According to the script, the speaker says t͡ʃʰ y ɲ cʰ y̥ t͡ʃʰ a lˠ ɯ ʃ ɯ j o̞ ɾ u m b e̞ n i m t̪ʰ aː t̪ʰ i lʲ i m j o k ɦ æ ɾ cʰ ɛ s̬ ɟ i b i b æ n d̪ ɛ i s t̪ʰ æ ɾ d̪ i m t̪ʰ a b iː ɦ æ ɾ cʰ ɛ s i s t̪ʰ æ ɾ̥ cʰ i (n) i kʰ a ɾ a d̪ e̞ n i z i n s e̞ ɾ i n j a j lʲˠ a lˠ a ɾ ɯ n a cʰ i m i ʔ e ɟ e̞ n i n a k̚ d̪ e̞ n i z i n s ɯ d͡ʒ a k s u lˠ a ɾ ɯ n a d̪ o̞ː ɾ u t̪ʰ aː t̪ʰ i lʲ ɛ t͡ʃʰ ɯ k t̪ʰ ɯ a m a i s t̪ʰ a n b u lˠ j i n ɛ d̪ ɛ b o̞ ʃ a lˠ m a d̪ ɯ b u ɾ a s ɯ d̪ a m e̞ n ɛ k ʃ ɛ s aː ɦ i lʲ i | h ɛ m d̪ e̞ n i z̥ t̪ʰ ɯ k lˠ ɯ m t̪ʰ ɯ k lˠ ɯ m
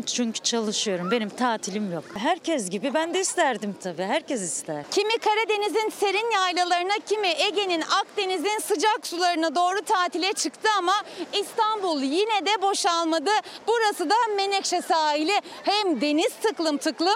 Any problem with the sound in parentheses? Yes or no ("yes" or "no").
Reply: yes